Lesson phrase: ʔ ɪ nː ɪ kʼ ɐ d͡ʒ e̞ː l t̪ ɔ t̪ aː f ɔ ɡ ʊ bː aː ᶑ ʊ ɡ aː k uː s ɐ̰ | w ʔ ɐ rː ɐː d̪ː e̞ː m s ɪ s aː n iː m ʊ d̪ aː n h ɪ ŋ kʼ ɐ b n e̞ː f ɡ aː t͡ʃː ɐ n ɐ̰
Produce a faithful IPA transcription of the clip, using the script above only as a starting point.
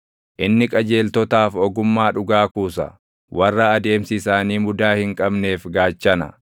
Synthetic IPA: ʔ ɪ nː ɪ kʼ ɐ d͡ʒ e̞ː l t̪ ɔ t̪ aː f ɔ ɡ ʊ mː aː ᶑ ʊ ɡ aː k uː s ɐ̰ | w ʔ ɐ rː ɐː d̪ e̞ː m s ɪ s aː n iː m ʊ d̪ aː h ɪ ŋ kʼ ɐ b n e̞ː f ɡ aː t͡ʃː ɐ n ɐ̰